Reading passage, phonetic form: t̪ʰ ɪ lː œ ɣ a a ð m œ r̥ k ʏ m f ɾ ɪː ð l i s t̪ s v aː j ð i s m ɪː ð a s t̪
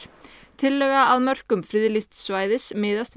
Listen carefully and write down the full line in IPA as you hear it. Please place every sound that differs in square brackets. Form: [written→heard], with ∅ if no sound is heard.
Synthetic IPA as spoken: t̪ʰ ɪ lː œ ɣ a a ð m œ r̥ k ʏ m f ɾ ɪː ð l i s t̪ s v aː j ð [i→ɪ] s m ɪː ð a s t̪